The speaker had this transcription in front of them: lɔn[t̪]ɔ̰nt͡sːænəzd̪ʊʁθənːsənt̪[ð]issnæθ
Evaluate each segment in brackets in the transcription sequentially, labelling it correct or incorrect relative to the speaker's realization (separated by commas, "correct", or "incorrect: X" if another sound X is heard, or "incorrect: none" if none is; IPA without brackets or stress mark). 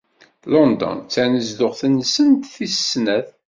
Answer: incorrect: d̪, incorrect: θ